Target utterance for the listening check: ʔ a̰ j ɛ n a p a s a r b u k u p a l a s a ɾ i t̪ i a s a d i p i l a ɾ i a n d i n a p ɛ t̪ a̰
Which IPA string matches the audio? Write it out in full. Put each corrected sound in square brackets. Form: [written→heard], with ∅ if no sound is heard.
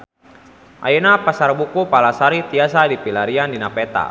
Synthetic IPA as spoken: ʔ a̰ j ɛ n a p a s a r b u k u p a l a s a ɾ i t̪ i a s a d i p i l a ɾ i a n d i n a p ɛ t̪ a̰